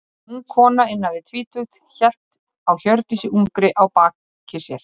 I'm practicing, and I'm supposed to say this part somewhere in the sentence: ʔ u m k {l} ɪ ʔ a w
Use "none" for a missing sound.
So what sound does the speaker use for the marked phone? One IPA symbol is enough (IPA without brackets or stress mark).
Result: ɾ